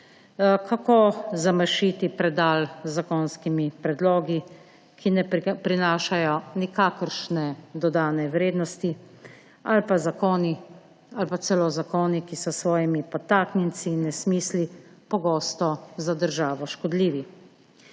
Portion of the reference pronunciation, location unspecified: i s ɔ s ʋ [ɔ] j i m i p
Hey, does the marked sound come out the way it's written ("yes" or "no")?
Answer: no